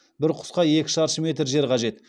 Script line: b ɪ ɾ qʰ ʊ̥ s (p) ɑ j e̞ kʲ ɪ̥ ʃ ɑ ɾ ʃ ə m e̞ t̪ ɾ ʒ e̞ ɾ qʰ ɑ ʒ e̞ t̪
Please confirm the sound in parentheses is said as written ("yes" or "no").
no